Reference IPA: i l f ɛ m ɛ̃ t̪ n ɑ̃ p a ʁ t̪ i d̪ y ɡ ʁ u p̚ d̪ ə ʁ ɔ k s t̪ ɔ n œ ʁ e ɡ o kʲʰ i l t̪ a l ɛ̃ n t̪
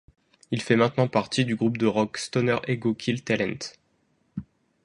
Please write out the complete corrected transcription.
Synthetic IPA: i l f ɛ m ɛ̃ t̪ n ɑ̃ p a ʁ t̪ i d̪ y ɡ ʁ u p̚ d̪ ə ʁ ɔ k s t̪ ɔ n œ ʁ e ɡ o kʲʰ i l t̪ a l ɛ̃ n t̪